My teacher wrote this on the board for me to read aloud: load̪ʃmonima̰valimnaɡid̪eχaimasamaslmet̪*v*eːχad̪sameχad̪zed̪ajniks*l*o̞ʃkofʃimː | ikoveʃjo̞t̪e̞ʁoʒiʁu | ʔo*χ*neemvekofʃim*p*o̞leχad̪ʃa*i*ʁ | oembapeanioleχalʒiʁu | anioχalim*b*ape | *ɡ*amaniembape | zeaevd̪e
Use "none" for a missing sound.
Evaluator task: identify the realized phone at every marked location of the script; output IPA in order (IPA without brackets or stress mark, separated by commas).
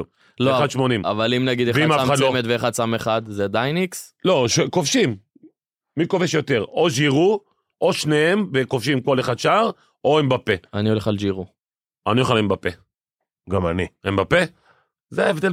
v, l, ʃ, k, a, b, ɡ